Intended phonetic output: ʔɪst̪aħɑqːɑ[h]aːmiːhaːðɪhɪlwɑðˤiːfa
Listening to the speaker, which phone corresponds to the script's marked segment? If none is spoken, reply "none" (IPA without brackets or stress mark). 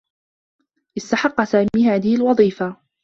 s